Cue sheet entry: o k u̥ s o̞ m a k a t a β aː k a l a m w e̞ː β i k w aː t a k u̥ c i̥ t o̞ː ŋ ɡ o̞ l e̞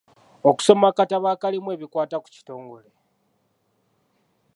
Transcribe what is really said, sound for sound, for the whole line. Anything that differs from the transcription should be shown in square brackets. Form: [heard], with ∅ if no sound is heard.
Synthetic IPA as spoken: o k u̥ s o̞ m a k a t a β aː k a l [i] m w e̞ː β i k w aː t a k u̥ c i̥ t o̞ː ŋ ɡ o̞ l e̞